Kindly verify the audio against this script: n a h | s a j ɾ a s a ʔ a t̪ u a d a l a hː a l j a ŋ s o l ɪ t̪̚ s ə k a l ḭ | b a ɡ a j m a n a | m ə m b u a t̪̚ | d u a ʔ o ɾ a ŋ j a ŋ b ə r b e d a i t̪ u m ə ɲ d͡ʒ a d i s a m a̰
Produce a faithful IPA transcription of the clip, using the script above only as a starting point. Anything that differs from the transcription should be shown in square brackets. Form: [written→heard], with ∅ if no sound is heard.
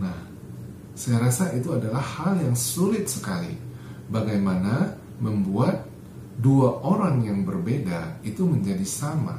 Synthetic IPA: n a h | s a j ɾ a s a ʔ [a→i] t̪ u a d a l a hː a l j a ŋ s [o→u] l ɪ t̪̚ s ə k a l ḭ | b a ɡ a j m a n a | m ə m b u a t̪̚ | d u a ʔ o ɾ a ŋ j a ŋ b ə r b e d a i t̪ u m ə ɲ d͡ʒ a d i s a m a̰